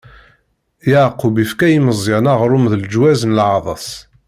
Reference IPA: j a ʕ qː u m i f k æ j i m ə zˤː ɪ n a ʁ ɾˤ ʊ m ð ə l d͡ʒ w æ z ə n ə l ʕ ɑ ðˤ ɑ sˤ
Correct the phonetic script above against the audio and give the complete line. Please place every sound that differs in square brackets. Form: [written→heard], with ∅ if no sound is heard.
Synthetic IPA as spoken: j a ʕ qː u [m→b] i f k æ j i m ə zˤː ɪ n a ʁ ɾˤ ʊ m ð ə l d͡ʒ w æ z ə n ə l ʕ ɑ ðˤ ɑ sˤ